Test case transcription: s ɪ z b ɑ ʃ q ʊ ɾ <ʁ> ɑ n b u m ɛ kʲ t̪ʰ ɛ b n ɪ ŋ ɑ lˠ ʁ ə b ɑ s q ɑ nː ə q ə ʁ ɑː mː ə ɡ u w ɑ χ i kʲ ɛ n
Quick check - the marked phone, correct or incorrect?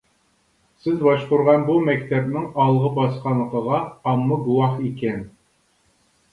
correct